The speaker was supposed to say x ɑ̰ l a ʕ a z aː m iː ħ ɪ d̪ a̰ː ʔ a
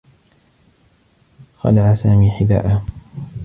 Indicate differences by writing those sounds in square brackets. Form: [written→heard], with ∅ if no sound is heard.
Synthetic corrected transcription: x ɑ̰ l a ʕ a [z→s] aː m iː ħ ɪ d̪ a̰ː ʔ a

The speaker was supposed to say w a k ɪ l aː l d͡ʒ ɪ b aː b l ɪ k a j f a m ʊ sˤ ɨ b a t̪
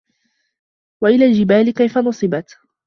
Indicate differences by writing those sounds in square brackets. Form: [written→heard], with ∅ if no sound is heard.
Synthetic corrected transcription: w a [k→ʔ] ɪ l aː l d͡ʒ ɪ b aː [b→∅] l ɪ k a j f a [m→n] ʊ sˤ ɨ b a t̪

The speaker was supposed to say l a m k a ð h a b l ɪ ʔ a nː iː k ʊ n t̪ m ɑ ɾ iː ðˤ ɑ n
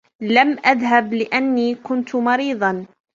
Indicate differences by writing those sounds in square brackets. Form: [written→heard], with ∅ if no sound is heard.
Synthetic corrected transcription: l a m [k→ʔ] a ð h a b l ɪ ʔ a nː iː k ʊ n t̪ m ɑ ɾ iː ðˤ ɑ n

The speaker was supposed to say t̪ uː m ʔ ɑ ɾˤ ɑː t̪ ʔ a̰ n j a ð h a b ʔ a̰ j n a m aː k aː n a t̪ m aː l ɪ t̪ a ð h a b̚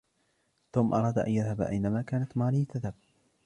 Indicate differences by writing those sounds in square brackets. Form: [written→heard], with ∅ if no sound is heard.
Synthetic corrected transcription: t̪ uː m ʔ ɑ ɾˤ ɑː [t̪→d̪] ʔ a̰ n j a ð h a b ʔ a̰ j n a m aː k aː n a t̪ m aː l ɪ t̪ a ð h a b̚

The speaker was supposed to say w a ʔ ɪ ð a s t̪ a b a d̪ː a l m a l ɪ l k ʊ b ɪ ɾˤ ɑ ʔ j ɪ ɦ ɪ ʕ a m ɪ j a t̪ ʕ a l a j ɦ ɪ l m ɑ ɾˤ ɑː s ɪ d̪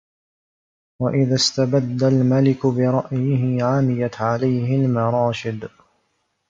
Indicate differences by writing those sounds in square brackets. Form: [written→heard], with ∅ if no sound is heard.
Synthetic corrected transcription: w a ʔ ɪ ð a s t̪ a b a d̪ː a l m a l ɪ [l→∅] k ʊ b ɪ ɾˤ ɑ ʔ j ɪ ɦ ɪ ʕ a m ɪ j a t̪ ʕ a l a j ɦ ɪ l m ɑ ɾˤ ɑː [s→ʃ] ɪ d̪

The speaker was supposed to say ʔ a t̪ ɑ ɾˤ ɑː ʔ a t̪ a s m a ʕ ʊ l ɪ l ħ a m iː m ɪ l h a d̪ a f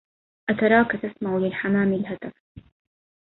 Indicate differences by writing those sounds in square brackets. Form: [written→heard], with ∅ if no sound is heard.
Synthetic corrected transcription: ʔ a t̪ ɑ ɾˤ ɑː [ʔ→k] a t̪ a s m a ʕ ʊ l ɪ l ħ a m [iː→aː] m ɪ l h a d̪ a f

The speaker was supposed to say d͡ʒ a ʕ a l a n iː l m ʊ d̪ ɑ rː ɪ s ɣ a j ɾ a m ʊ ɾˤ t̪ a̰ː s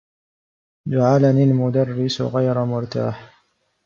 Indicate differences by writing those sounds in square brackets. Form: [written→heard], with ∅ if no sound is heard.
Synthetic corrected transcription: d͡ʒ a ʕ a l a n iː l m ʊ d̪ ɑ rː ɪ s ɣ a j ɾ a m ʊ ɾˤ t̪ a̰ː [s→ħ]

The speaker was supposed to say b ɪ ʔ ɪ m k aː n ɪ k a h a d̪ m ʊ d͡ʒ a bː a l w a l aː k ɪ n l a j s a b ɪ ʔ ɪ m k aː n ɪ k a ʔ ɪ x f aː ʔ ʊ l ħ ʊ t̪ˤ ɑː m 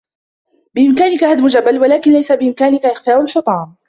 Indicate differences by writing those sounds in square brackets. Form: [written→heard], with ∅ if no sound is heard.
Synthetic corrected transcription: b ɪ ʔ ɪ m k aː n ɪ k a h a d̪ m ʊ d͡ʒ a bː a l w a l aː k ɪ n l a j s a b ɪ ʔ ɪ m k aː n ɪ k a ʔ ɪ x f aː ʔ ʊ l ħ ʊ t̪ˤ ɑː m

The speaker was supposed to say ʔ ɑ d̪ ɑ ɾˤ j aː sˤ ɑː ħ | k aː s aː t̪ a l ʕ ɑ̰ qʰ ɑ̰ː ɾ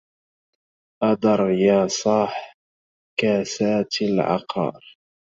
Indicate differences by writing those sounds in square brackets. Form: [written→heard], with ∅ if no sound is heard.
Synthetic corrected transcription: ʔ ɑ d̪ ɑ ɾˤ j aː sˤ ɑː ħ | k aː s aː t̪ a l ʕ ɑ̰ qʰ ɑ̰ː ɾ

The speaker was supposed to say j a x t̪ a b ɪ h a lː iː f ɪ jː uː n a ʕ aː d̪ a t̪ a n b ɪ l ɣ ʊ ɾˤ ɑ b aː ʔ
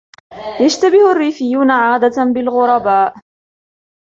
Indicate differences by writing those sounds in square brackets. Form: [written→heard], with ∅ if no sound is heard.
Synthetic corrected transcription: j a [x→ʃ] t̪ a b ɪ h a [lː→rː] iː f ɪ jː uː n a ʕ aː d̪ a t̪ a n b ɪ l ɣ ʊ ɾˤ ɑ b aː ʔ

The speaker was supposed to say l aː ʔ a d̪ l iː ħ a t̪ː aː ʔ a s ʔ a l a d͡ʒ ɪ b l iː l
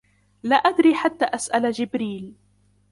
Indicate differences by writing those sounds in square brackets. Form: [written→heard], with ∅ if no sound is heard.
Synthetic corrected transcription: l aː ʔ a d̪ [l→ɾ] iː ħ a t̪ː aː ʔ a s ʔ a l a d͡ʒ ɪ b [l→ɾ] iː l

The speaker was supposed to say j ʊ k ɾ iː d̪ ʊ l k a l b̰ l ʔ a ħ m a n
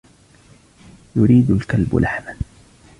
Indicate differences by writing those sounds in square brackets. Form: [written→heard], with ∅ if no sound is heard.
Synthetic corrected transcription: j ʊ [k→∅] ɾ iː d̪ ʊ l k a l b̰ l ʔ a ħ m a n

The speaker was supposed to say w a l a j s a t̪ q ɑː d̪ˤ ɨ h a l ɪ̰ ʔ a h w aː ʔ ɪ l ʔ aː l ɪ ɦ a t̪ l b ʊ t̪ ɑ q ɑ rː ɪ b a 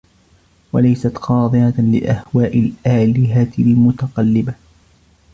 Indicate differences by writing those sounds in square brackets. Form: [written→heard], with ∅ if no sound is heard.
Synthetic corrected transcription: w a l a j s a t̪ q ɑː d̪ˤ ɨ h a l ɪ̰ ʔ a h w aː ʔ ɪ l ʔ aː l ɪ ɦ a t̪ l [b→m] ʊ t̪ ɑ q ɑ [rː→lː] ɪ b a

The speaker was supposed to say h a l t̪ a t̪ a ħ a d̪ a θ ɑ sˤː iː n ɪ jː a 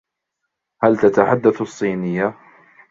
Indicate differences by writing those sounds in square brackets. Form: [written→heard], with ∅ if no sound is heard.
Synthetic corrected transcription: h a l t̪ a t̪ a ħ a [d̪→d̪ː] a θ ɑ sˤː iː n ɪ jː a

